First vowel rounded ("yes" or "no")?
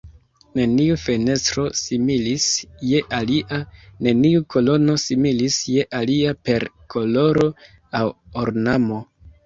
no